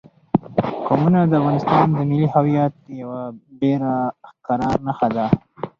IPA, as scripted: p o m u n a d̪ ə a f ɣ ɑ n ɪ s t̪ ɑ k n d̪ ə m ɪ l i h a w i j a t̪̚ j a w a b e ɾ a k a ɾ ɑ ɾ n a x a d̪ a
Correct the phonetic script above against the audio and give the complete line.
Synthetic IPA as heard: k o m u n a d̪ ə a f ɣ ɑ n ɪ s t̪ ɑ n d̪ ə m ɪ l i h a w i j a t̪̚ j a w a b e ɾ a k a ɾ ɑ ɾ n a x a d̪ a